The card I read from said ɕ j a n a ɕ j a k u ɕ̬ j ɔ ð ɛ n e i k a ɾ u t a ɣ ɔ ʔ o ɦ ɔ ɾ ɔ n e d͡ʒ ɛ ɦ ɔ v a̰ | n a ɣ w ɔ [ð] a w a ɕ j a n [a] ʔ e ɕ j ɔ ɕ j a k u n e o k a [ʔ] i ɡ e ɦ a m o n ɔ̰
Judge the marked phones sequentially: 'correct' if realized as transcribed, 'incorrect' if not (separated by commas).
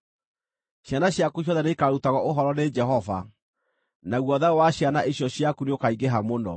correct, correct, incorrect